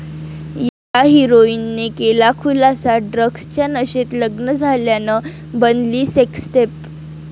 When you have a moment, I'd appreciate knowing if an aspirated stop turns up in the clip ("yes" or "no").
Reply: yes